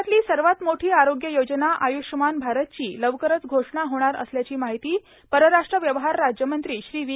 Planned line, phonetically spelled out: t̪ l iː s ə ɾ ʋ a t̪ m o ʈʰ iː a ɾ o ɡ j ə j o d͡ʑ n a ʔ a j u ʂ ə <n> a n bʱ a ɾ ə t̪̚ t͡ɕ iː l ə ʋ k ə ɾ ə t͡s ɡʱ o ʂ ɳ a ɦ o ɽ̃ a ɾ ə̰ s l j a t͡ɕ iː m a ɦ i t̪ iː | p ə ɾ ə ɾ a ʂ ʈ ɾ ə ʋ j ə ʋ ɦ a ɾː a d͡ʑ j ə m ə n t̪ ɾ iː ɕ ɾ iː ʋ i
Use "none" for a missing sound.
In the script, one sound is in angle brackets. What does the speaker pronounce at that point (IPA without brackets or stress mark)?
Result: m